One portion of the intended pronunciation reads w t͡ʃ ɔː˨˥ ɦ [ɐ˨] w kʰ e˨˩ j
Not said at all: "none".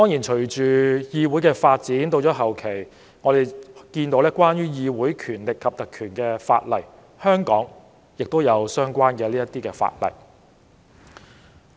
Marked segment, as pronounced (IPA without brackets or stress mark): ɐ˨